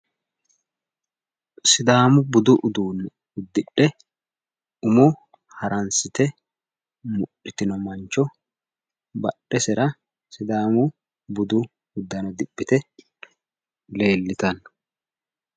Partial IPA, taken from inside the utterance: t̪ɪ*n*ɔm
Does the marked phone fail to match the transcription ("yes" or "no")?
no